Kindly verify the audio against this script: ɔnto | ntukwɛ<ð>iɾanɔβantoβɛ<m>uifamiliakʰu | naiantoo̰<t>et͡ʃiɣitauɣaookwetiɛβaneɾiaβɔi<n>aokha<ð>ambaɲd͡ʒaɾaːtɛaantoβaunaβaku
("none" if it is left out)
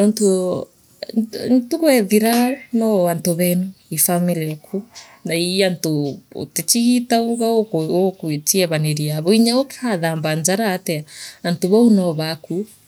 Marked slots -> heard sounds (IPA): ð, n, t, ɲ, ð

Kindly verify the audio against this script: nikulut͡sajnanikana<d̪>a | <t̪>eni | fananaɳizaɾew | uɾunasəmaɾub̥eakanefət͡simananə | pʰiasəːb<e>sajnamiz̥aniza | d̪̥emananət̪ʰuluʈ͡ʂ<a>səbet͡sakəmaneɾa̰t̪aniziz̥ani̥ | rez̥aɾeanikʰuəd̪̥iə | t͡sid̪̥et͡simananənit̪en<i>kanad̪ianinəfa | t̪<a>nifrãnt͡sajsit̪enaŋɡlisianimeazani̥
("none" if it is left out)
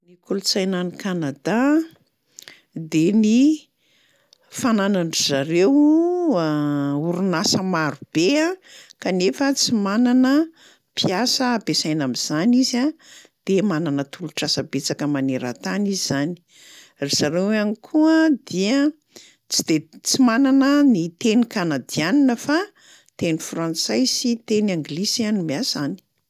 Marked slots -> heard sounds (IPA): d̪, d̪, e, a, i, e

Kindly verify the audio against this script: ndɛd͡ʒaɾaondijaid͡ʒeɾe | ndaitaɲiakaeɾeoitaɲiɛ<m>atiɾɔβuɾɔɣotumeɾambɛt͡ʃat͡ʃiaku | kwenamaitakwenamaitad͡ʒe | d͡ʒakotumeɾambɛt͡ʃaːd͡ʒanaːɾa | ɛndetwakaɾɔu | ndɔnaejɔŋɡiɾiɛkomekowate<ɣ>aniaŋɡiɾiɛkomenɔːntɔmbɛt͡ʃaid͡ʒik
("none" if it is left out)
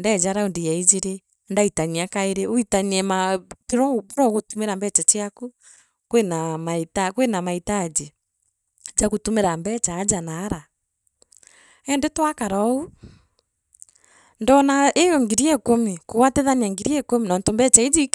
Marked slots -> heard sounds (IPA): m, ð

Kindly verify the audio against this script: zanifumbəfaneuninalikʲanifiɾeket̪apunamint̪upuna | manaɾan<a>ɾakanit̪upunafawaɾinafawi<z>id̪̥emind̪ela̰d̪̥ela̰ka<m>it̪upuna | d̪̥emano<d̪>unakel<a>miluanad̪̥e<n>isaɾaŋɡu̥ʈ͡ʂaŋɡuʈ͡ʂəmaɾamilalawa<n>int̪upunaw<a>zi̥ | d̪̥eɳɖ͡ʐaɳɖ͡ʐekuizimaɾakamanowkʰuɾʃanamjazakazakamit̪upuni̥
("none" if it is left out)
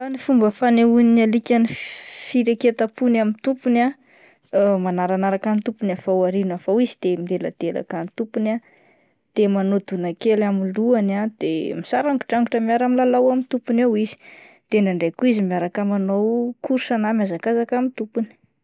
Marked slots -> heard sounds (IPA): a, z, n, d̪, a, m, m, i

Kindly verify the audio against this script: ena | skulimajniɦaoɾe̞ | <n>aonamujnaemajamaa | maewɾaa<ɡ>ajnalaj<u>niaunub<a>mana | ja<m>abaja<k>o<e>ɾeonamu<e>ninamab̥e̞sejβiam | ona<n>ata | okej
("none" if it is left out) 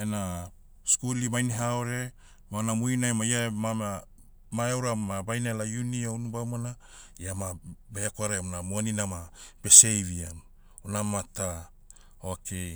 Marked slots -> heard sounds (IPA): m, b, u, a, m, k, a, a, m

